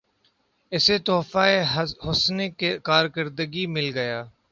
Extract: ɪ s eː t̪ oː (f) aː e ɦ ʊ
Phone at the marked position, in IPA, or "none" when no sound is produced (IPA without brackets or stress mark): f